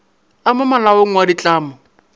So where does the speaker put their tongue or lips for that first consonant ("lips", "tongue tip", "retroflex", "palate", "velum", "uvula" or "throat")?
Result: lips